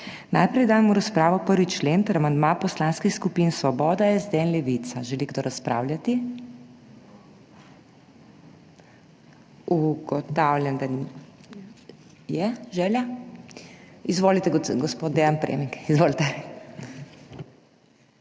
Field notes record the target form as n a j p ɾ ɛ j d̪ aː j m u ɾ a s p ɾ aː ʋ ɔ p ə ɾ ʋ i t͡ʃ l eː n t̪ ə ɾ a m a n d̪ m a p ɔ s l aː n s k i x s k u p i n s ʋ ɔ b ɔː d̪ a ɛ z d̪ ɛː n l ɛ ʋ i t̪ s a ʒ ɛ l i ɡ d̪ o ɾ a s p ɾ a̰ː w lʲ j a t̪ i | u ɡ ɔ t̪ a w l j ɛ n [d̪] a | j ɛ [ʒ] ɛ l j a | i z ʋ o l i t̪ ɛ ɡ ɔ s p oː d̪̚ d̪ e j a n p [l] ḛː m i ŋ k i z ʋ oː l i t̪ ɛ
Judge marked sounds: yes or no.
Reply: yes, yes, no

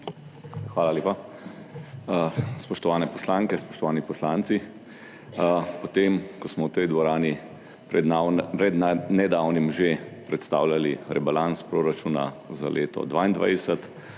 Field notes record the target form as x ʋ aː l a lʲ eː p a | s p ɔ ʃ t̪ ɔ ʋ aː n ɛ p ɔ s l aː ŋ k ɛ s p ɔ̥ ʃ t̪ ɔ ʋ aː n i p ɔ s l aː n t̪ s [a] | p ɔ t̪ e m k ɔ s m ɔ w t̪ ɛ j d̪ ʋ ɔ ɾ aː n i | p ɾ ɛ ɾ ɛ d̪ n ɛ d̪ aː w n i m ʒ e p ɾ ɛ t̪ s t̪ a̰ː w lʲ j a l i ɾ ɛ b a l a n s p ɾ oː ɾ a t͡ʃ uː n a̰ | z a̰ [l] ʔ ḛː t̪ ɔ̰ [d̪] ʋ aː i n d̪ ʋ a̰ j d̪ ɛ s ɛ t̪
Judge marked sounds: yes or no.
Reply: no, yes, yes

